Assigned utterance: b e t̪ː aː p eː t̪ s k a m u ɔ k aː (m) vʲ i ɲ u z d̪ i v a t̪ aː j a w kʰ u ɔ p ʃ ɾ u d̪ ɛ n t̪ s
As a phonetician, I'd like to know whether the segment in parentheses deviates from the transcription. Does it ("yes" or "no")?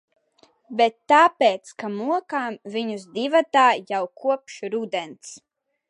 no